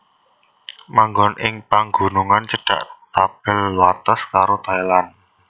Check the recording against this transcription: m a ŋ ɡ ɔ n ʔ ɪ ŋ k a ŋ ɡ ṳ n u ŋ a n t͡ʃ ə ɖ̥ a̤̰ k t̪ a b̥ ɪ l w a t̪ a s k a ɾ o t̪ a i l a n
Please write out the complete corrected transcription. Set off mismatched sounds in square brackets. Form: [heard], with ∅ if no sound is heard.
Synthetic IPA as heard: m a ŋ ɡ ɔ n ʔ ɪ ŋ [p] a ŋ ɡ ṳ n u ŋ a n t͡ʃ ə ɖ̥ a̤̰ [ʔ] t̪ a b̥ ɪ l w a t̪ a s k a ɾ o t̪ a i l a n